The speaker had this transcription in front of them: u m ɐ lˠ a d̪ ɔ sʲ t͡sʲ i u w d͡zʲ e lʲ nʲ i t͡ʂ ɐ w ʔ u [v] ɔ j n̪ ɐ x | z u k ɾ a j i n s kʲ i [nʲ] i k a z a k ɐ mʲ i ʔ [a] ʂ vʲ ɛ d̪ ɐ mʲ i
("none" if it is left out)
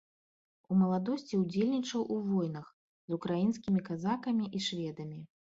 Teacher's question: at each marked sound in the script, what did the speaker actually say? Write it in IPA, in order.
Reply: v, mʲ, i

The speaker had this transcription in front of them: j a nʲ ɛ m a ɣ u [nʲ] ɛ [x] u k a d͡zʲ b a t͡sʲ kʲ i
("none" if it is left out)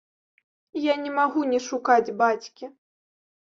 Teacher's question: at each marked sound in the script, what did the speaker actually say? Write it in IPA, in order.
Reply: nʲ, ʂ

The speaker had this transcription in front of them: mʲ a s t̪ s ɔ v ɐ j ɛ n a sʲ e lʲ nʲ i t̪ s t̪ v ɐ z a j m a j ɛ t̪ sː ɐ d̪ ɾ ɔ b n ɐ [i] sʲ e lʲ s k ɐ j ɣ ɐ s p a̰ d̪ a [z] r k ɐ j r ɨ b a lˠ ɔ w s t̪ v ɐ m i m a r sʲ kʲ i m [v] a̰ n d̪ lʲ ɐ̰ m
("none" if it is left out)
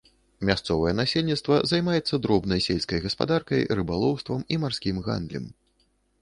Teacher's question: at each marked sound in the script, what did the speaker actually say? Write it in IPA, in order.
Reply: j, none, ɣ

